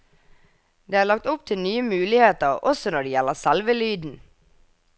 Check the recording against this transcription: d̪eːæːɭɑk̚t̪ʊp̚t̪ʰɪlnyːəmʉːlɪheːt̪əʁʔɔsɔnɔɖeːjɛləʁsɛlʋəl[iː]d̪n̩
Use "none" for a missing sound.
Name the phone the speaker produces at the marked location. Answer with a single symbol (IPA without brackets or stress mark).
yː